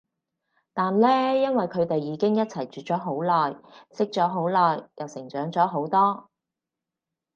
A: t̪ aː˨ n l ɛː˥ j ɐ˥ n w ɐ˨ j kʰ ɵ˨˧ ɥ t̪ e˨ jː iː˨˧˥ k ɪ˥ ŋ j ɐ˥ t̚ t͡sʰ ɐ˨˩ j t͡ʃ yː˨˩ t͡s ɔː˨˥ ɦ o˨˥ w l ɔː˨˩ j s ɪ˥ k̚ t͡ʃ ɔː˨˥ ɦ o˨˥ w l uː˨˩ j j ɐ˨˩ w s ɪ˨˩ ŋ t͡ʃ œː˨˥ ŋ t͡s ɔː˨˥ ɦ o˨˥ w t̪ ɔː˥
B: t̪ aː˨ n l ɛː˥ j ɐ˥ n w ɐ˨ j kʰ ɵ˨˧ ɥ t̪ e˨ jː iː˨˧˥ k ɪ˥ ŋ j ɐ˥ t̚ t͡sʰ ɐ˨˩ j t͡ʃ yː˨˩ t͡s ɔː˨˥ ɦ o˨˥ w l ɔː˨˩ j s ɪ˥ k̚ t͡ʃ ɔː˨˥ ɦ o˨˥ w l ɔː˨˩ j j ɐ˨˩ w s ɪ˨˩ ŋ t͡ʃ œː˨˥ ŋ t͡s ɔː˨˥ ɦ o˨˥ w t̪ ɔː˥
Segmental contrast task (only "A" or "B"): B